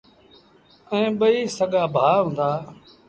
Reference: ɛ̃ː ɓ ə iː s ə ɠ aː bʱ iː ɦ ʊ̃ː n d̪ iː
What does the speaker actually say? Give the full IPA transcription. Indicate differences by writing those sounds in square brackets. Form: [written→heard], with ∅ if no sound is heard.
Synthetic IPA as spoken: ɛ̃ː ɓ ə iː s ə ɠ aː bʱ [iː→aː] ɦ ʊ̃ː n d̪ [iː→aː]